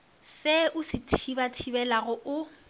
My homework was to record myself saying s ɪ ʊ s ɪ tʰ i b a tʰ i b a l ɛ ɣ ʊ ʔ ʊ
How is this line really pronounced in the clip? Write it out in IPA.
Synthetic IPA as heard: s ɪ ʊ s ɪ tʰ i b a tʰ i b ɛ l a ɣ ʊ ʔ ʊ